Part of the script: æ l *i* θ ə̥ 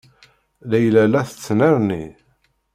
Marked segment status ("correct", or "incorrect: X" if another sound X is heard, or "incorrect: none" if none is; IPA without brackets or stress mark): incorrect: æ